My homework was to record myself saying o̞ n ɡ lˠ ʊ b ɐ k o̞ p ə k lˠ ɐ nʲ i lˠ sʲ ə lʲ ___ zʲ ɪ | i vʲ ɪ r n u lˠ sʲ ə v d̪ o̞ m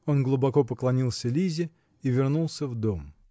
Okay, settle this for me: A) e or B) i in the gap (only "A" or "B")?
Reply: B